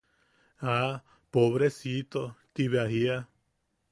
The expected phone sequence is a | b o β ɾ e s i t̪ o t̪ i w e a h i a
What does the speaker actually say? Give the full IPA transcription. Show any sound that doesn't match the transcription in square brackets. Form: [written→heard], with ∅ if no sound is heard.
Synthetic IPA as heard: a | [b→p] o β ɾ e s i t̪ o t̪ i [w→β] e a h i a